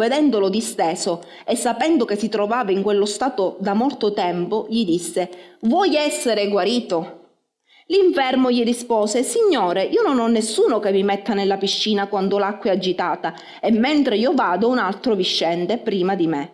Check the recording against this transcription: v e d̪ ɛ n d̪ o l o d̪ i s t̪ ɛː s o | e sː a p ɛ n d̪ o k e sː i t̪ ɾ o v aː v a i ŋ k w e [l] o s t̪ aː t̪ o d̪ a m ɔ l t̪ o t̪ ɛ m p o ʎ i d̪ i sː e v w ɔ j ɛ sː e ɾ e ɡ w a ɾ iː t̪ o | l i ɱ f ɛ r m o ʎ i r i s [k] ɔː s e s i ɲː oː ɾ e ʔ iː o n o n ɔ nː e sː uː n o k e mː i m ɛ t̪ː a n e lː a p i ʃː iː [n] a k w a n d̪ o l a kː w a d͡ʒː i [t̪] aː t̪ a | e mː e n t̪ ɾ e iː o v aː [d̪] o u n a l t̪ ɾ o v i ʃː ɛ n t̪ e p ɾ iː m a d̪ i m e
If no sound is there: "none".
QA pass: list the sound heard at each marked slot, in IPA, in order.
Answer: lː, p, n, t̪, d̪

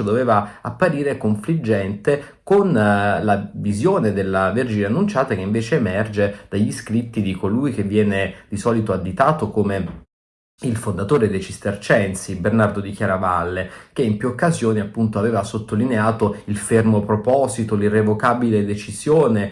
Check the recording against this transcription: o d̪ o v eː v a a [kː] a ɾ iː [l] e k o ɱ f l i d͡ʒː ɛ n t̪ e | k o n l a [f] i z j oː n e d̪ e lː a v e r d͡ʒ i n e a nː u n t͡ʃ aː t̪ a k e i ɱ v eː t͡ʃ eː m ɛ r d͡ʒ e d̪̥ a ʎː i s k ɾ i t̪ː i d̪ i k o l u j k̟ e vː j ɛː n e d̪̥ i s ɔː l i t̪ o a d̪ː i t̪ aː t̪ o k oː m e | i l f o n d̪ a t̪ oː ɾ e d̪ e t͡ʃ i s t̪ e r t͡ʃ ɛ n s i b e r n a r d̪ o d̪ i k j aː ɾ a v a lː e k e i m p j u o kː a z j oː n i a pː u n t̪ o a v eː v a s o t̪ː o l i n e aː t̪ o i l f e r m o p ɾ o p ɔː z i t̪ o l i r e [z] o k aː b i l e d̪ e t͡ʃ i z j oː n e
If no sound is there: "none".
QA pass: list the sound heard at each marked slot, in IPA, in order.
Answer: pː, ɾ, v, v

